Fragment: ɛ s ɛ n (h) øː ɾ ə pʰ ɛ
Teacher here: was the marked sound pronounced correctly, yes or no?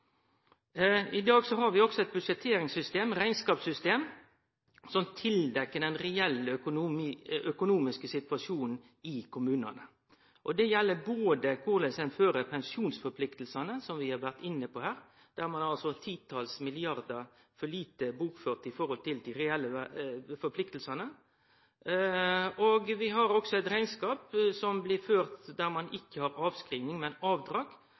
no